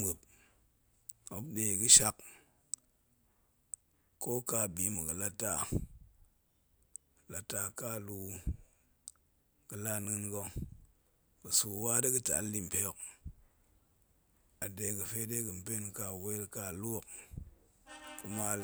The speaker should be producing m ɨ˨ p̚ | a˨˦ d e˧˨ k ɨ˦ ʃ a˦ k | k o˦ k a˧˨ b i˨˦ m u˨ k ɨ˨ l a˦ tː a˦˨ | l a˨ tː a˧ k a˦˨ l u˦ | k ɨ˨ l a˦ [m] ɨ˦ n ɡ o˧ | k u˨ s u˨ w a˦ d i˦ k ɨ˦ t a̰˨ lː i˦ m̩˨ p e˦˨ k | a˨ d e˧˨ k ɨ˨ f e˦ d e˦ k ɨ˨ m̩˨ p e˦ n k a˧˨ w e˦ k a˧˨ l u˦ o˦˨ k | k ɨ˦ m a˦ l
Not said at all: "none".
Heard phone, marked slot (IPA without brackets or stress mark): n